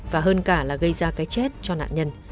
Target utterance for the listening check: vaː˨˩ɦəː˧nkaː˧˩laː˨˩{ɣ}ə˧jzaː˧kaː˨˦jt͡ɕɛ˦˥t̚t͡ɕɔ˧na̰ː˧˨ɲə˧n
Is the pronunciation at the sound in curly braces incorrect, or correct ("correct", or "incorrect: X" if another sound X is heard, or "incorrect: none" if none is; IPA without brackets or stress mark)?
correct